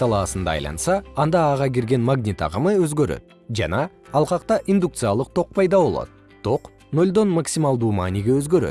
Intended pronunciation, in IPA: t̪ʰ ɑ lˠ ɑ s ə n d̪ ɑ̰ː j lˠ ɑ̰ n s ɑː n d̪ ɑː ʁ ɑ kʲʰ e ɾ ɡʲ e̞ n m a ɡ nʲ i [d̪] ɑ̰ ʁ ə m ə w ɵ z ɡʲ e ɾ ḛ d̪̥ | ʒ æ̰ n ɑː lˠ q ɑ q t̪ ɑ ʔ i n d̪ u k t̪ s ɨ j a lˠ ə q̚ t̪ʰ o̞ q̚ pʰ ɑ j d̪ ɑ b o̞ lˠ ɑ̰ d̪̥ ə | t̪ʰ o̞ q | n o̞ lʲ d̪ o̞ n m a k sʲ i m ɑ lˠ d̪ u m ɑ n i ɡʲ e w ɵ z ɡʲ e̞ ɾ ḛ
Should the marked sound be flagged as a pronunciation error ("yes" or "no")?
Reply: yes